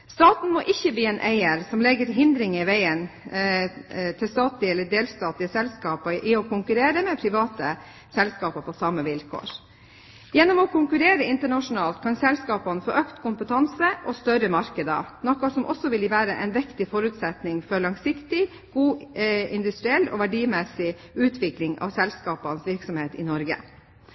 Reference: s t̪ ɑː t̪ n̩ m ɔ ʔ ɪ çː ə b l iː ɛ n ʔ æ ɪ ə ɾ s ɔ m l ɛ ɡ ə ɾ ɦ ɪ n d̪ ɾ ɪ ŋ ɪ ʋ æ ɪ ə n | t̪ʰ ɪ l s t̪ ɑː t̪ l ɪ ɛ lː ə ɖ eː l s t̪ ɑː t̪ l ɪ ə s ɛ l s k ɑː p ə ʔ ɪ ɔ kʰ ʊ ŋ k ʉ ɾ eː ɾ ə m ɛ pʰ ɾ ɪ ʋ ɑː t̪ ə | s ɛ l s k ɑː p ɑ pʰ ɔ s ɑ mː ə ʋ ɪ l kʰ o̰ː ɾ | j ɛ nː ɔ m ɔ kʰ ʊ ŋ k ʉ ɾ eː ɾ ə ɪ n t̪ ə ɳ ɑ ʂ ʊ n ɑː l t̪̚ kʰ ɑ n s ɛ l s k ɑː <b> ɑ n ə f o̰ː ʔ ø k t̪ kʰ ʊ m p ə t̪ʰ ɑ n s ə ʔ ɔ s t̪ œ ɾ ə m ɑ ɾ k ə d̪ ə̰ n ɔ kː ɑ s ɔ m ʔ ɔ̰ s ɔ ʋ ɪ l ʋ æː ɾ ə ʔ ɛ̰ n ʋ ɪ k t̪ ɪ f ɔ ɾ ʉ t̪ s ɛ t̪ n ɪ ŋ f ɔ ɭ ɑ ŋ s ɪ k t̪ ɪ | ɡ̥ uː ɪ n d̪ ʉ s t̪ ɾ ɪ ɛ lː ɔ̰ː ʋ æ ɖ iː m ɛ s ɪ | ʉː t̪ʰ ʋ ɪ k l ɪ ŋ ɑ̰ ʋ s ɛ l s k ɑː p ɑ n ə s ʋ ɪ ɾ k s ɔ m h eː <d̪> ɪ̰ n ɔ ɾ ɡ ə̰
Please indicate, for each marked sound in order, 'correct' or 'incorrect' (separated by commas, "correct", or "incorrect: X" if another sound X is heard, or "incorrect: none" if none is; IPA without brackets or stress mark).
incorrect: p, incorrect: t̪